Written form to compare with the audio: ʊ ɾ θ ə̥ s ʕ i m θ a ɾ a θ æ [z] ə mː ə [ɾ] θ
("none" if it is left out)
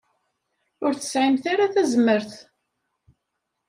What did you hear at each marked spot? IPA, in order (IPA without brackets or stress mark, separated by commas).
z, ɾ